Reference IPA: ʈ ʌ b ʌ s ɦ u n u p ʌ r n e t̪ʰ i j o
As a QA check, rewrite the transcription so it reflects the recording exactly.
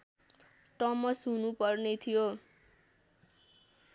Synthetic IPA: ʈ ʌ m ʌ s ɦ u n u p ʌ r n e t̪ʰ i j o